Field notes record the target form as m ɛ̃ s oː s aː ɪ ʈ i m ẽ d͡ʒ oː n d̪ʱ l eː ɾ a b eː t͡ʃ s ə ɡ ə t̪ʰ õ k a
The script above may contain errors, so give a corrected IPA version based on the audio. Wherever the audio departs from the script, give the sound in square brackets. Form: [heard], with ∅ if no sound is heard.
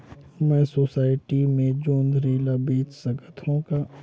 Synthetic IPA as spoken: m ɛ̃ s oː s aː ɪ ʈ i m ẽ d͡ʒ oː n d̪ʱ [ɾ] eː [l] a b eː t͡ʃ s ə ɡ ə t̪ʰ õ k a